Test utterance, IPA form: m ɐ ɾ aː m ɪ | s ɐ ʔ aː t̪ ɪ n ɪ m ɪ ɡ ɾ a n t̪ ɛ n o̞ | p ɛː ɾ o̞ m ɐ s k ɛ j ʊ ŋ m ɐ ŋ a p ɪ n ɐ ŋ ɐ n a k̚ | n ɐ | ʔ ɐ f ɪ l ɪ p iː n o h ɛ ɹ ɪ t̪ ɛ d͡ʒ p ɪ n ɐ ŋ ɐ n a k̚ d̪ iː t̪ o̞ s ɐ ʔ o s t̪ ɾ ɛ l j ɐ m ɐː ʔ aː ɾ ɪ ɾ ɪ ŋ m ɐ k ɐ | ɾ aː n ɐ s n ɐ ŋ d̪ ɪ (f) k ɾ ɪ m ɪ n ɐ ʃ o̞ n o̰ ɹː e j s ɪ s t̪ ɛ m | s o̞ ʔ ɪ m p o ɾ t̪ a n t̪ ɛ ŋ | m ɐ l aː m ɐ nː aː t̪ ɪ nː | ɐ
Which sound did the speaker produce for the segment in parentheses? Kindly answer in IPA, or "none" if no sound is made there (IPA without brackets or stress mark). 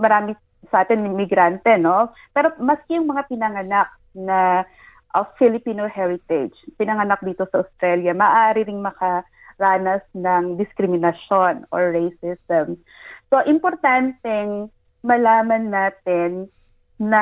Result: s